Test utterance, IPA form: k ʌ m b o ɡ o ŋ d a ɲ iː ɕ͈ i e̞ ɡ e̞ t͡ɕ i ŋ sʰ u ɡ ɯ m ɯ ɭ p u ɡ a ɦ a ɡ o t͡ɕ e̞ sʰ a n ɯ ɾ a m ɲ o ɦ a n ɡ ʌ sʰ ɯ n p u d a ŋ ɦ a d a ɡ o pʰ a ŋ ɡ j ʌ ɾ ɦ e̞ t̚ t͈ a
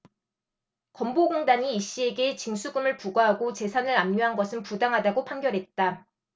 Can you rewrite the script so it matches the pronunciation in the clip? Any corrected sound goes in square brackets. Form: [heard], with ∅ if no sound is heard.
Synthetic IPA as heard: k ʌ m b o ɡ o ŋ d a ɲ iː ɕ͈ i e̞ ɡ e̞ t͡ɕ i ŋ sʰ u ɡ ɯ m ɯ ɭ p u ɡ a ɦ a ɡ o t͡ɕ e̞ sʰ a n ɯ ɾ a m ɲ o ɦ a n ɡ ʌ sʰ ɯ n p u d a ŋ ɦ a d a ɡ o pʰ a ŋ ɡ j ʌ ɾ ɦ e̞ t̚ t͈ a